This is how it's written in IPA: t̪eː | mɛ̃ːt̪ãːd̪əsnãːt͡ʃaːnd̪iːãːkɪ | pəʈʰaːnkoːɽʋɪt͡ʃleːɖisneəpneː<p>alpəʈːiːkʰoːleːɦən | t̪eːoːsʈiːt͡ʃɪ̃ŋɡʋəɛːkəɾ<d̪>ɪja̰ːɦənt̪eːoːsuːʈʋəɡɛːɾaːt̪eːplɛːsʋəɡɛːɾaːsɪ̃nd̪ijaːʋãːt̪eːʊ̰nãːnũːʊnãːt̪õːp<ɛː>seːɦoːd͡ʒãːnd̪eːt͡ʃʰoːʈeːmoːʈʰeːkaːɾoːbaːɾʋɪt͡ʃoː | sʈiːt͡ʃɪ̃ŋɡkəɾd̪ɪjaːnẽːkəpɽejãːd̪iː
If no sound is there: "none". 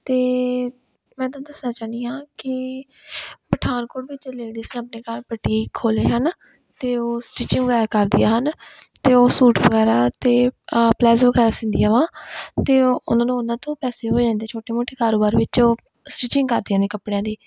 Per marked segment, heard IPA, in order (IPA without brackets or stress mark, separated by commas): k, d̪, ɛː